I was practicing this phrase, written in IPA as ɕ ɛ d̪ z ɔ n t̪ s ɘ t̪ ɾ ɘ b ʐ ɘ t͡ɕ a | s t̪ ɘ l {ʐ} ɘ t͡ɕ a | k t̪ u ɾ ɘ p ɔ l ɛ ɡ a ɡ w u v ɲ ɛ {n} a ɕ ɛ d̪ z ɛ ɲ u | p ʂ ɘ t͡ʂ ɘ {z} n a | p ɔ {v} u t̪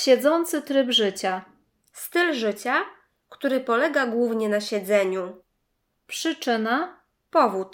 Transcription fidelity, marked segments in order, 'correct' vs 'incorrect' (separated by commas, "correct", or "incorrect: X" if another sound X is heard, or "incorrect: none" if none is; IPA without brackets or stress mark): correct, correct, incorrect: none, correct